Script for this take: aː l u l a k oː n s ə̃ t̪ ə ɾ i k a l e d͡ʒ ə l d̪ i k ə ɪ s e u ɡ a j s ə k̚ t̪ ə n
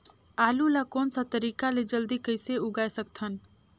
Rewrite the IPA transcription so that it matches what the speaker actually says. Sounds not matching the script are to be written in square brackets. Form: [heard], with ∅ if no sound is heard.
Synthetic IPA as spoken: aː l u l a k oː n s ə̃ t̪ ə ɾ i k a l e d͡ʒ ə l d̪ i k ə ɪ s e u ɡ a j s ə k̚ [t̪ʰ] ə n